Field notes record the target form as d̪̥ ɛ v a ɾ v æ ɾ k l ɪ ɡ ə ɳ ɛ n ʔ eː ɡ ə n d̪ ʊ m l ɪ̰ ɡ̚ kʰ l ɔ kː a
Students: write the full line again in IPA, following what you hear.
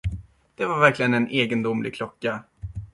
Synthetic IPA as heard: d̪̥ ɛ v a ɾ v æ ɾ k l ɪ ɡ ə n ɛ n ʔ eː ɡ ə n d̪ ʊ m l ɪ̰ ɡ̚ kʰ l ɔ kː a